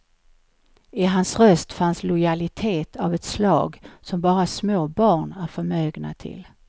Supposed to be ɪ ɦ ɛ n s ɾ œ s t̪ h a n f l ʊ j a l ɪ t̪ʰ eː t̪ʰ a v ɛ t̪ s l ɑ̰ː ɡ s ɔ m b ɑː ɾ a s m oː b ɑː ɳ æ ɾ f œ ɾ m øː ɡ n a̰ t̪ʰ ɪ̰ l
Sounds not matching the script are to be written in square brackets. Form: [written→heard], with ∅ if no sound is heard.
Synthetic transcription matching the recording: ɪ ɦ [ɛ→a] n s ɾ œ s t̪ [h→f] a n [f→s] l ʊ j a l ɪ t̪ʰ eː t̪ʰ a v ɛ t̪ s l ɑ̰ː ɡ s ɔ m b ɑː ɾ a s m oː b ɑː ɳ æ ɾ f œ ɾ m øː ɡ n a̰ t̪ʰ ɪ̰ l